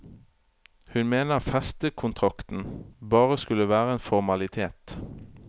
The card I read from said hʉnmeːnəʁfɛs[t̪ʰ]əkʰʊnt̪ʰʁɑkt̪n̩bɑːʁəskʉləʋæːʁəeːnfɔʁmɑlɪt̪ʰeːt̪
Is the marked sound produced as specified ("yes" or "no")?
no